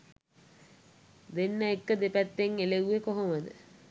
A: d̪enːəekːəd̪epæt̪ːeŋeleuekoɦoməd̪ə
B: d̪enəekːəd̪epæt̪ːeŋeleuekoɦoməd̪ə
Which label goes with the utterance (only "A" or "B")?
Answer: A